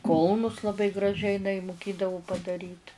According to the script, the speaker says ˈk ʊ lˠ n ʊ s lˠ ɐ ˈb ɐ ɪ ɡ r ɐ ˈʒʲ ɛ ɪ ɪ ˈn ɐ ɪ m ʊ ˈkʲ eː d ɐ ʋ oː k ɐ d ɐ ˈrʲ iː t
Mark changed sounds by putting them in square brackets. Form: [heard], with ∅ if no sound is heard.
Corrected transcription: ˈk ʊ lˠ n ʊ s lˠ ɐ ˈb ɐ ɪ ɡ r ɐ ˈʒʲ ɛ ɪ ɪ ˈn ɐ ɪ m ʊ ˈkʲ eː d ɐ ʋ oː [p] ɐ d ɐ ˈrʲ iː t